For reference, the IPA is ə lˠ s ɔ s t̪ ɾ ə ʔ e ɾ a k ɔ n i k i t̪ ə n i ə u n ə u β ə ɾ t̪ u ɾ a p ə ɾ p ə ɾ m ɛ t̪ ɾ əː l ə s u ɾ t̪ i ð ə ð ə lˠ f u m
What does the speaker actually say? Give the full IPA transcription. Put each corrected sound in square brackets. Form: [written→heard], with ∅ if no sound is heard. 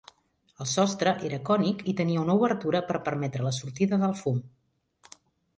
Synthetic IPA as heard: ə lˠ s ɔ s t̪ ɾ ə ʔ e ɾ [a→ə] k ɔ n i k i t̪ ə n i ə u n ə u β ə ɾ t̪ u ɾ [a→ə] p ə ɾ p ə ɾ m ɛ t̪ ɾ [əː→ə] l ə s u ɾ t̪ i ð ə ð ə lˠ f u m